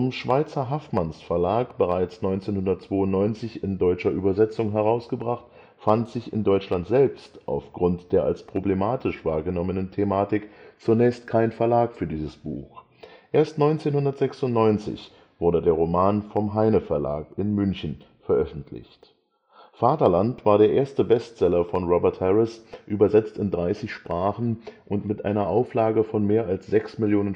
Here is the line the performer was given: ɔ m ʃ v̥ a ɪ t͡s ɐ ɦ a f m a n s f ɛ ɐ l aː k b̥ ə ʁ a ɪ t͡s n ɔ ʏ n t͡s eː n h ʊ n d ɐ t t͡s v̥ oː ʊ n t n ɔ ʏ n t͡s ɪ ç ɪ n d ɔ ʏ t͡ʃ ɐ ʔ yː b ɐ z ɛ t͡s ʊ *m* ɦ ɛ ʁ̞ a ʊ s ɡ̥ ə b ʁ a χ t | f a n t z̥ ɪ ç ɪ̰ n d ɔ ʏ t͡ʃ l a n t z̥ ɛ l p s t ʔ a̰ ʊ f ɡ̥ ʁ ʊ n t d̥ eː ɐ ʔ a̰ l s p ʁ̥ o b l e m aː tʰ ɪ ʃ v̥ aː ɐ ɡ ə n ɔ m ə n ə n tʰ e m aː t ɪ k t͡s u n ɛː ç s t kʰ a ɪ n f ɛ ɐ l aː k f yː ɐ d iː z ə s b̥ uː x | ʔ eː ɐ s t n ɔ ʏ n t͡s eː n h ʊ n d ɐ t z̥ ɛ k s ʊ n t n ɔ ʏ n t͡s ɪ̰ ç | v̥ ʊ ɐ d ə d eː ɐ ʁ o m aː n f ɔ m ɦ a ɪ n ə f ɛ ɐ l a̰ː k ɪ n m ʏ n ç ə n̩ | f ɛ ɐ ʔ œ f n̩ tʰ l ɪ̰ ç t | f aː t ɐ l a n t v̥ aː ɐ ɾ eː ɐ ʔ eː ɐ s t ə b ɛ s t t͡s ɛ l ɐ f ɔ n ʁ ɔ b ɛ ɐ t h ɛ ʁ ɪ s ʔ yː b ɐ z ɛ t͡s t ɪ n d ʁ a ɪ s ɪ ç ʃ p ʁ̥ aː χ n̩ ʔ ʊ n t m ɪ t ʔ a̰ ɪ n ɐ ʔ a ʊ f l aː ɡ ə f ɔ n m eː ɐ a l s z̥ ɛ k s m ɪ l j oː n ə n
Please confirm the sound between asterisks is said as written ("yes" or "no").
no